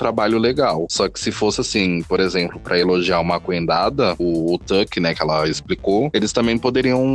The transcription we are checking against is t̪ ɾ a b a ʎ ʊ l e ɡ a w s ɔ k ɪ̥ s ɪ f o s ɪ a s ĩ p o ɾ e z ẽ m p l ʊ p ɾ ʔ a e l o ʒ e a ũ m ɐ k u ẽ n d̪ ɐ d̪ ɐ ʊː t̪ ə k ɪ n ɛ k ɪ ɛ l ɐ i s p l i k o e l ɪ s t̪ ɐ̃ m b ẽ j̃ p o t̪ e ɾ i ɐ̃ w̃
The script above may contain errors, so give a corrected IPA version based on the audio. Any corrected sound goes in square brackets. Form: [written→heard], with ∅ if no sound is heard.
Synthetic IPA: t̪ ɾ a b a ʎ ʊ l e ɡ a w s ɔ k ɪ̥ s ɪ f o s ɪ a s ĩ p o ɾ e z ẽ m p l ʊ p ɾ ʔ [a→ɐ] e l o ʒ [e→i] a ũ m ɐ k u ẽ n d̪ [ɐ→a] d̪ ɐ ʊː t̪ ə k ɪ n ɛ k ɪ ɛ l ɐ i s p l i k o e l ɪ s t̪ ɐ̃ m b ẽ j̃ p o [t̪→d̪] e ɾ i ɐ̃ w̃